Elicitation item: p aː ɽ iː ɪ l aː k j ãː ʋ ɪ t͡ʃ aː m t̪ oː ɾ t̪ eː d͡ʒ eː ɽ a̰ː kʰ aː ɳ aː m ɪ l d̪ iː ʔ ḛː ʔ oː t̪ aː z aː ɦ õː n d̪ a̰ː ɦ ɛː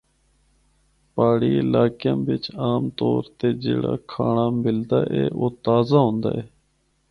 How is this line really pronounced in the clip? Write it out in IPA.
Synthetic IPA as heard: p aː ɽ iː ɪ l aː k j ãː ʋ ɪ t͡ʃ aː m t̪ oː ɾ t̪ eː d͡ʒ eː ɽ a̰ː kʰ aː ɳ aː m ɪ l d̪ aː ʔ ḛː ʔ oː t̪ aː z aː ɦ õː n d̪ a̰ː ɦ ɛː